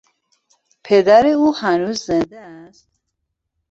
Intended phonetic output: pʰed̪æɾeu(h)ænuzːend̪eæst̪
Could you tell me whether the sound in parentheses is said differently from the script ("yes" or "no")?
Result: no